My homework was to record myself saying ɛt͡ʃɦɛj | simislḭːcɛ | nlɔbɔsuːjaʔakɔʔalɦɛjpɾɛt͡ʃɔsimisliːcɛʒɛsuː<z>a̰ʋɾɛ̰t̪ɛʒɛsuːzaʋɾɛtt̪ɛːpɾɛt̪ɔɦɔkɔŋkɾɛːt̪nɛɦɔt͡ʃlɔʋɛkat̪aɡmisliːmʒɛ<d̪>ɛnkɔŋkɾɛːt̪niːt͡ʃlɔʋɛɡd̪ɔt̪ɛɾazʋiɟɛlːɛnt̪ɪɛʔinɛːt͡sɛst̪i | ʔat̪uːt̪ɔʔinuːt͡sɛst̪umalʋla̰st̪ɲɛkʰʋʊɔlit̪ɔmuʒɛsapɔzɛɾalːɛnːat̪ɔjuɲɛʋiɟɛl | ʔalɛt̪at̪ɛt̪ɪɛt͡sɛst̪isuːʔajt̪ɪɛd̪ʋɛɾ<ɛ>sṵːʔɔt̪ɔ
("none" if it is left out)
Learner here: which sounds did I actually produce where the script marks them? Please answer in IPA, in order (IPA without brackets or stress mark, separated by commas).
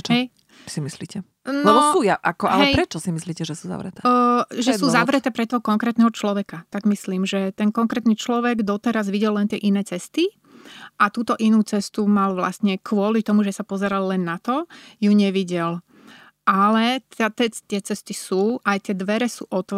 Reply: z, t̪, ɛ